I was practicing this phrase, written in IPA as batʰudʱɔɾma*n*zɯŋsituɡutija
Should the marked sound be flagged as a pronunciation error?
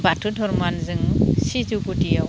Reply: no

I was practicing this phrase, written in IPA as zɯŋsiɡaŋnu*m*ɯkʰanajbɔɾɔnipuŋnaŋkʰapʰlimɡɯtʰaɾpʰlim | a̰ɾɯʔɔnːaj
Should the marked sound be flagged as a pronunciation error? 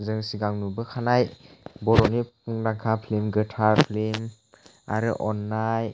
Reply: yes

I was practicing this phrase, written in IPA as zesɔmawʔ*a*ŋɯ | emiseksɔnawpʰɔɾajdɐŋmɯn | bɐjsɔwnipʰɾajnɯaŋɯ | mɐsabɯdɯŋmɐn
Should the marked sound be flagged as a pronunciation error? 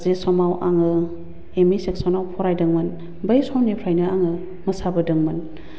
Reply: no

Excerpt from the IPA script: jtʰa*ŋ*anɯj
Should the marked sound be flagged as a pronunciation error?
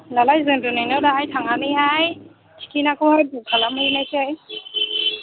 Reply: no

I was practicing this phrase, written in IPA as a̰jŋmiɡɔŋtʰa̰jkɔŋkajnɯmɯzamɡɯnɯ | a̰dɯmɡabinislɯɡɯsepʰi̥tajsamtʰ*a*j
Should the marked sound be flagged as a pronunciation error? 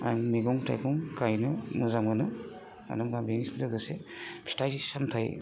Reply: no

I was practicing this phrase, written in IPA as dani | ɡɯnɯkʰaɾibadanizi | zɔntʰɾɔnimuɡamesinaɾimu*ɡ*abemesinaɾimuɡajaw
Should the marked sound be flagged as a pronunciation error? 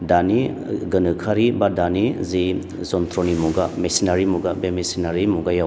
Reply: no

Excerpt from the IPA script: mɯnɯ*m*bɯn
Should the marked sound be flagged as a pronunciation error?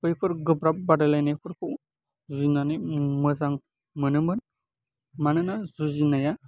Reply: no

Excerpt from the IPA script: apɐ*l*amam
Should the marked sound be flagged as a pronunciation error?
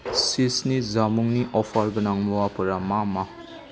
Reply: yes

